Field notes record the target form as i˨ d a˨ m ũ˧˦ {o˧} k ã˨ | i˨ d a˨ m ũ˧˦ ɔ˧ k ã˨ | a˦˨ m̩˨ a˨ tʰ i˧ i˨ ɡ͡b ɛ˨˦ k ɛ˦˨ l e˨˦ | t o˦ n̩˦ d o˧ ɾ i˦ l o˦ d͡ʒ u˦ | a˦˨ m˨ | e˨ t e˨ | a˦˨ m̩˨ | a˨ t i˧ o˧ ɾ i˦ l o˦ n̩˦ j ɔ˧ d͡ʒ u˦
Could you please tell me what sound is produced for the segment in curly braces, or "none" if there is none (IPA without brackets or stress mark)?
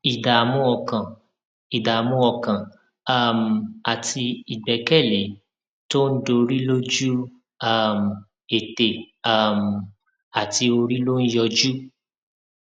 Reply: ɔ˧